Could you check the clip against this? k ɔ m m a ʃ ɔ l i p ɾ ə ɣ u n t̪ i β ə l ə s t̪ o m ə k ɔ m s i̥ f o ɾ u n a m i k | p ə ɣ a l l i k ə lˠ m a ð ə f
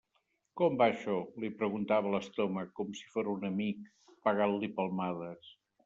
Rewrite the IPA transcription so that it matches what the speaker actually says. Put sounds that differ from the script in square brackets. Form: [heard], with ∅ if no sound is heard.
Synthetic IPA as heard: k ɔ m [b] a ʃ ɔ l i p ɾ ə ɣ u n t̪ [a] β ə l ə s t̪ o m ə k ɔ m s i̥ f o ɾ u n [ə] m i k | p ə ɣ a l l i [p] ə lˠ m a ð ə [s]